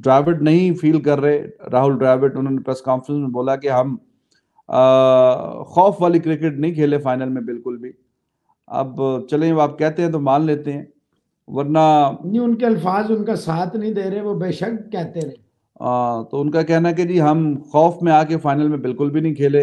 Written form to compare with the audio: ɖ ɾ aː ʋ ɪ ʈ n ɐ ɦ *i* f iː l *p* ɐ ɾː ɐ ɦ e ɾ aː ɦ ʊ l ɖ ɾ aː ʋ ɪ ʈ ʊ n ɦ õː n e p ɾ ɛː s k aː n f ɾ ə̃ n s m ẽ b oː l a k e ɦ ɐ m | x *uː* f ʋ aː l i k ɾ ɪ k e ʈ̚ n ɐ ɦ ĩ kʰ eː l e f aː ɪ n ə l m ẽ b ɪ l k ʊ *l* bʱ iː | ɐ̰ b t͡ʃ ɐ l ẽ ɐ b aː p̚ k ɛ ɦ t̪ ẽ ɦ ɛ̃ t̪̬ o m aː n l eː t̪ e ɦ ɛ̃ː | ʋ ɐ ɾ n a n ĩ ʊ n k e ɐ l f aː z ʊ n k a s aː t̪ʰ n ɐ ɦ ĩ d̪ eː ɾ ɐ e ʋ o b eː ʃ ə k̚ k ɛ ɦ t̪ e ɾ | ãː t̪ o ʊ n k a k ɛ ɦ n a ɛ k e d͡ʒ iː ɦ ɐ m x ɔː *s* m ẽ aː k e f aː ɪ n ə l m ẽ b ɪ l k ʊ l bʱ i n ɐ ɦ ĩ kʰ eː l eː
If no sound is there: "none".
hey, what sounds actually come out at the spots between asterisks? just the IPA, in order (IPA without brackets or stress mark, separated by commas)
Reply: ĩ, k, ɔː, l, f